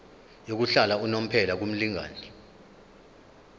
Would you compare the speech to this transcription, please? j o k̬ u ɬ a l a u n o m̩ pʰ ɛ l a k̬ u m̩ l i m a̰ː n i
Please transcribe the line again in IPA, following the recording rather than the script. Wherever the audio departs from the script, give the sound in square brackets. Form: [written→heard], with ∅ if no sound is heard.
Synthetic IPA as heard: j o k̬ u ɬ a l a u n o m̩ pʰ ɛ l a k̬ u m̩ l i [m→ŋ] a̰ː n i

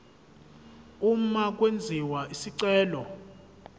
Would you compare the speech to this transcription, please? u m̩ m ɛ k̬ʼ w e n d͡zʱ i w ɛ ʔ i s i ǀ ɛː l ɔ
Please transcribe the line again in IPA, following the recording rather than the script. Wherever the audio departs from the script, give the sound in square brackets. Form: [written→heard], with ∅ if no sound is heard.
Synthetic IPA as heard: u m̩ m [ɛ→a] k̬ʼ w e n d͡zʱ i w [ɛ→a] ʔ i s i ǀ ɛː l ɔ

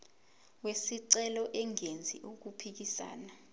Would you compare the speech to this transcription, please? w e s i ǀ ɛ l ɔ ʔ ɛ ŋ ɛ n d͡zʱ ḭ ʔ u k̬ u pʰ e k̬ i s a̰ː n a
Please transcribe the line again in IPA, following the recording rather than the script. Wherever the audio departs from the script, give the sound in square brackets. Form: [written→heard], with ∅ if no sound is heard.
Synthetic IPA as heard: w e s i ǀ ɛ l ɔ ʔ ɛ ŋ [ɛ→e] n d͡zʱ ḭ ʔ u k̬ u pʰ [e→i] k̬ i s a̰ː n a

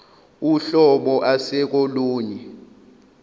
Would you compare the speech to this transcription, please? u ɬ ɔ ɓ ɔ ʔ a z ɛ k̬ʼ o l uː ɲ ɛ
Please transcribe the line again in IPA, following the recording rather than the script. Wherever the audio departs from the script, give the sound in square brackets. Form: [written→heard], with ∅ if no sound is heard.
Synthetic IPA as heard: u ɬ ɔ ɓ ɔ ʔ a [z→s] ɛ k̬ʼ o l uː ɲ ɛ

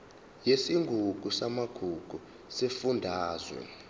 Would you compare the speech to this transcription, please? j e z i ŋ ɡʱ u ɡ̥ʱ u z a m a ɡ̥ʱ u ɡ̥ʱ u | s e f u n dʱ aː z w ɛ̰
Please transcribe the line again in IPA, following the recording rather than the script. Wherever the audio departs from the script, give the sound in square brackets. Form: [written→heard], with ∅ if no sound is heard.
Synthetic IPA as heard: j e [z→s] i ŋ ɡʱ u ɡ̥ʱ u [z→s] a m a ɡ̥ʱ u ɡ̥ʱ u | s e f u n dʱ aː z w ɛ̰

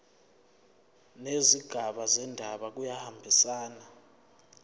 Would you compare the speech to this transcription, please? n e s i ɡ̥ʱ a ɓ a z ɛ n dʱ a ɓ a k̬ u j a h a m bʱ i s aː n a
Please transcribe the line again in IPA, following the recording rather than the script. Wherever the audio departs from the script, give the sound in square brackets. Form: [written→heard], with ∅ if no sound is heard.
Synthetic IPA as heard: n e [s→z] i ɡ̥ʱ a ɓ a z ɛ n dʱ a ɓ a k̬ u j a h a m bʱ i s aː n a

